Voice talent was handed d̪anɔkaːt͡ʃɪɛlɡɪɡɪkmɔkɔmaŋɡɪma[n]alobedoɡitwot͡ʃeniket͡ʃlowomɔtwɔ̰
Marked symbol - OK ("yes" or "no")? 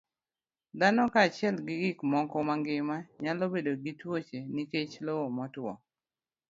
no